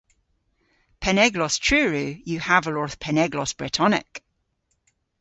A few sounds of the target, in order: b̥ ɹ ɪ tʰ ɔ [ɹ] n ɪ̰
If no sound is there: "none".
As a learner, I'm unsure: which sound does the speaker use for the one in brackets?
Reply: none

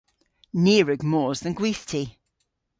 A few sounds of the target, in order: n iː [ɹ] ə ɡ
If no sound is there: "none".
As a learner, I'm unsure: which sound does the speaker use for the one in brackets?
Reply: ɹ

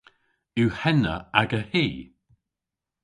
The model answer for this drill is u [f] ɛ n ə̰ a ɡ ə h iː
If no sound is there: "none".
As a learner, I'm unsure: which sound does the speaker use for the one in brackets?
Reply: h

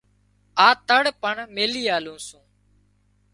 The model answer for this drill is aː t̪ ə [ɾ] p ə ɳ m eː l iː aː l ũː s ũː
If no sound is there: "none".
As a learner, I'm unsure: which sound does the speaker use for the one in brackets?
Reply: ɽ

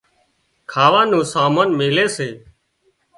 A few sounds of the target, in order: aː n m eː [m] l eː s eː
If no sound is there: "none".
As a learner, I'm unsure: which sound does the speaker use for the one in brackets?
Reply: none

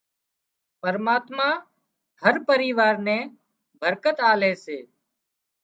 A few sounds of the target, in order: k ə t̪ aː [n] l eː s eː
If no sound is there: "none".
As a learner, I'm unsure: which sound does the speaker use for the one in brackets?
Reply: none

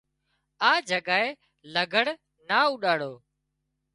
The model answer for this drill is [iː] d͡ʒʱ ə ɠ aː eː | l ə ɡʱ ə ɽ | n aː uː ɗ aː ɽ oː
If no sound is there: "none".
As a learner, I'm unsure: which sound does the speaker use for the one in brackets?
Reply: aː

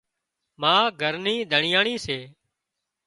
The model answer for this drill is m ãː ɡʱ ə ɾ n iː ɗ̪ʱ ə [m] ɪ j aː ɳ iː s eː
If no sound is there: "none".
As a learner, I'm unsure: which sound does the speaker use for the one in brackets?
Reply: ɳ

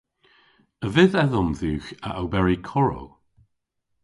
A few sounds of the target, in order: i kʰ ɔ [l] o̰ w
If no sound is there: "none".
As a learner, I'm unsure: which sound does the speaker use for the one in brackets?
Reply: ɹ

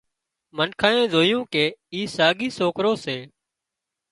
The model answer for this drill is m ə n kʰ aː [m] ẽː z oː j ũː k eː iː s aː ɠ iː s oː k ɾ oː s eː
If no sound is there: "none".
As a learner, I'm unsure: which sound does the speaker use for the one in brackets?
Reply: none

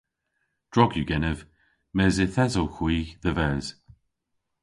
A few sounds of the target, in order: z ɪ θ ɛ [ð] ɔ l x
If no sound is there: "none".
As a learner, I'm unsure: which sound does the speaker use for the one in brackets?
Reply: z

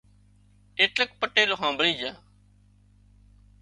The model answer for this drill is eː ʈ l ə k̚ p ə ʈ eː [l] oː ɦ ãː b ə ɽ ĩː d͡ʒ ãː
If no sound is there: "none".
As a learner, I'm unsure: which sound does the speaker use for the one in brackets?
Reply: l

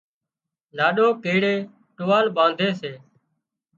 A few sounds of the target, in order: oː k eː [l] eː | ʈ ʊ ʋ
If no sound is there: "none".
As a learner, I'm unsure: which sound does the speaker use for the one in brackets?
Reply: ɽ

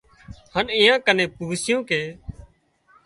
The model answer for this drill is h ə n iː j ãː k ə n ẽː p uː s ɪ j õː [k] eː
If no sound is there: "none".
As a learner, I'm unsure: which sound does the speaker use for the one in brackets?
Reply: k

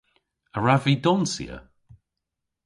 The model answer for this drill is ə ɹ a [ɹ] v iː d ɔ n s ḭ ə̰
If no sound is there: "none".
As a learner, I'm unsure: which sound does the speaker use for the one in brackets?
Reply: none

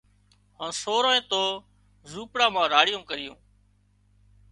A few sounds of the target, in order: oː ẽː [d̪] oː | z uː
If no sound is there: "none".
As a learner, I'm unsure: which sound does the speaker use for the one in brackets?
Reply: t̪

